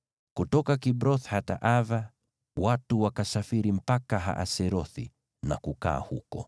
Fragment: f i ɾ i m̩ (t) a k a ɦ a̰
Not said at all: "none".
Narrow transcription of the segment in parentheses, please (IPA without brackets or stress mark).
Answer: p